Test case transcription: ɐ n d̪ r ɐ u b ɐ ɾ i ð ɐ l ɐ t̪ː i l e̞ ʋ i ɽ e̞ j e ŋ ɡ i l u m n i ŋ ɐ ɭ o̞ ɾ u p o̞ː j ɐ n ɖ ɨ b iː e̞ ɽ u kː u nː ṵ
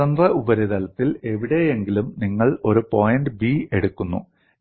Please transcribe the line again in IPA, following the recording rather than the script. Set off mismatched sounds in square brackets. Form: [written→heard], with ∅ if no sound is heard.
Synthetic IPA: ɐ n d̪ r ɐ u b ɐ ɾ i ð ɐ l ɐ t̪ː i l e̞ ʋ i ɽ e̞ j e ŋ ɡ i l u m n i [ŋ→ŋː] ɐ ɭ o̞ ɾ u p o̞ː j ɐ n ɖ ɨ b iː e̞ ɽ u kː u nː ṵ

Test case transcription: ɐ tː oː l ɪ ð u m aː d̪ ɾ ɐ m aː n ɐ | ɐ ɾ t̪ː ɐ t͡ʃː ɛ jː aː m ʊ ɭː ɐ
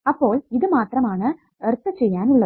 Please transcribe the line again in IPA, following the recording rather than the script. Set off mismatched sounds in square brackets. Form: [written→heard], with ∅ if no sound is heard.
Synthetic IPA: ɐ [tː→pː] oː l ɪ ð [u→ɯ] m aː [d̪→t̪] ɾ ɐ m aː n ɐ | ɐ ɾ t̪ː ɐ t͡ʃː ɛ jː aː [m→n] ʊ ɭː ɐ

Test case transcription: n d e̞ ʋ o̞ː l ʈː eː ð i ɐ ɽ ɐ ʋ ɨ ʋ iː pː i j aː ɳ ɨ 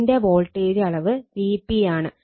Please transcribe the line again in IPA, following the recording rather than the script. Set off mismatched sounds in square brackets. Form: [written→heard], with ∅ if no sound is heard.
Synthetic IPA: n d e̞ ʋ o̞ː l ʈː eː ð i ɐ [ɽ→ɭ] ɐ ʋ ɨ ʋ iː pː i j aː ɳ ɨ

